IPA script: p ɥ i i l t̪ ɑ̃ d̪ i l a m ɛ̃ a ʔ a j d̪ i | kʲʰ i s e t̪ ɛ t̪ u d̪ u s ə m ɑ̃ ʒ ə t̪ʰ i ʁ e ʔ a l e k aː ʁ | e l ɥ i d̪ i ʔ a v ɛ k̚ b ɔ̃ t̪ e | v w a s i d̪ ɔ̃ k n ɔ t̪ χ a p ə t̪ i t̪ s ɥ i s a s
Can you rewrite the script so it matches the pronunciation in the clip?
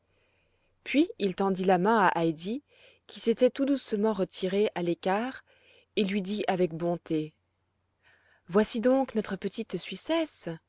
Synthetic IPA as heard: p ɥ i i l t̪ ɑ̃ d̪ i l a m ɛ̃ a ʔ a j d̪ i | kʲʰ i s e t̪ ɛ t̪ u d̪ u s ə m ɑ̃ ʁ ə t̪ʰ i ʁ e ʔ a l e k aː ʁ | e l ɥ i d̪ i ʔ a v ɛ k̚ b ɔ̃ t̪ e | v w a s i d̪ ɔ̃ k n ɔ t̪ χ ə p ə t̪ i t̪ s ɥ i s ɛ s